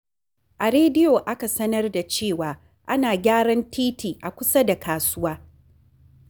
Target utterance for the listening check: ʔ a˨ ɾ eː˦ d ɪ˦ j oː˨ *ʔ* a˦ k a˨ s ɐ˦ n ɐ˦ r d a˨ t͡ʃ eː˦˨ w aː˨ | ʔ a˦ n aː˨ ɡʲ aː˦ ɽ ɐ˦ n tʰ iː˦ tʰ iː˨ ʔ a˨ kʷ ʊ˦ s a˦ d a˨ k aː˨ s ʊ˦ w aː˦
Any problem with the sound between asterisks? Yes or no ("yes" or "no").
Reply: no